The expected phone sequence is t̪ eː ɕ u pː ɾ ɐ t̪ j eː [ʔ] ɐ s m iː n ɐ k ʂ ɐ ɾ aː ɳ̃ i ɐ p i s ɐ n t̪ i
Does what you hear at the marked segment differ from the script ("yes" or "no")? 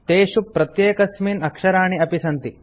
yes